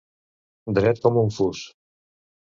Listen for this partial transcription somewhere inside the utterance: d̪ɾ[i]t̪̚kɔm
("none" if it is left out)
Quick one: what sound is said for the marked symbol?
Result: ɛ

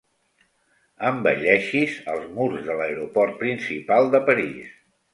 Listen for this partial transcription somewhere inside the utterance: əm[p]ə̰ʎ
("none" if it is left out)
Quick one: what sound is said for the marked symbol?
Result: b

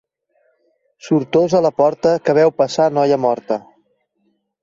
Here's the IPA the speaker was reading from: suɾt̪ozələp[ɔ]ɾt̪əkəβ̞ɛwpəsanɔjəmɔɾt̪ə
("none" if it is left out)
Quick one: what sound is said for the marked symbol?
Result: ɔ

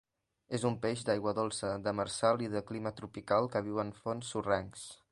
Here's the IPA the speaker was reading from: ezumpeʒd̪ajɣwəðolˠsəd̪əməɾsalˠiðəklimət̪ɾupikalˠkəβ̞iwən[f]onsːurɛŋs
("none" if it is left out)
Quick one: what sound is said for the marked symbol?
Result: f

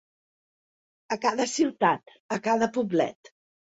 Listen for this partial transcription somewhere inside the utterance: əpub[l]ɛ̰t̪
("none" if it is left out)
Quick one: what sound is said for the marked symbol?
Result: l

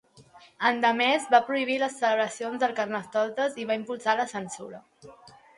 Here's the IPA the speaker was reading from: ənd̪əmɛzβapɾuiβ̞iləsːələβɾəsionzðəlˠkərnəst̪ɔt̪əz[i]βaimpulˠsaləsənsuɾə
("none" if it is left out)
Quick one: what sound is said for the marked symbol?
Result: i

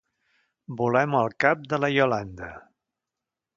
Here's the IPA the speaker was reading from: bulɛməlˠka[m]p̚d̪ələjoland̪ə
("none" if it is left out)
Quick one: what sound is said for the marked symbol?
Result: none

